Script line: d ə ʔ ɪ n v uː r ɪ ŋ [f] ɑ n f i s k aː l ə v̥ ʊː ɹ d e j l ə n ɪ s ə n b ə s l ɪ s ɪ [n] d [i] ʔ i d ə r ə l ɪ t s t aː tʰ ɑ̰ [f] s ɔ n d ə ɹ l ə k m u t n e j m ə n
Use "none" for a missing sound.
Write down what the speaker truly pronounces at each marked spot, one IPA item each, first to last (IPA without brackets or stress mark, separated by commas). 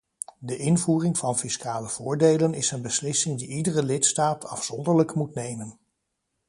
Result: v, ŋ, i, f